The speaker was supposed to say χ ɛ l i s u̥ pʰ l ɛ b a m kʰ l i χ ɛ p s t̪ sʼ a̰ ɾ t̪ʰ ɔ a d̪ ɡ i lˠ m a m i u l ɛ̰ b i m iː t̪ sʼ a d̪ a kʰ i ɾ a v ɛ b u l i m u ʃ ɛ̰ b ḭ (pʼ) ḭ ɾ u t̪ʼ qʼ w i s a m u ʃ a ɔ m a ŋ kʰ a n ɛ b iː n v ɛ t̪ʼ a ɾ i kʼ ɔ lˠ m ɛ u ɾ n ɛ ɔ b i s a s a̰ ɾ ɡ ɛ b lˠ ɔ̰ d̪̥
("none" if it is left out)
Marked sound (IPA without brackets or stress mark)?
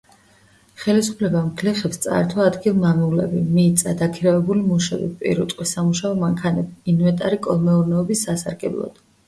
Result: pʼ